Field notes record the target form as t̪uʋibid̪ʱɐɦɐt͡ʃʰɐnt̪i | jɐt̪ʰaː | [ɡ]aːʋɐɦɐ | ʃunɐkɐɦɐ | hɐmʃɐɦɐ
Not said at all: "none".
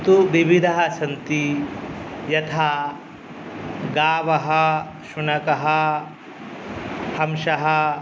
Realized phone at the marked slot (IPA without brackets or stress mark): ɡ